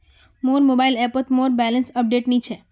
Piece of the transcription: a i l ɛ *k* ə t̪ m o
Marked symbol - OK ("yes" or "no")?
no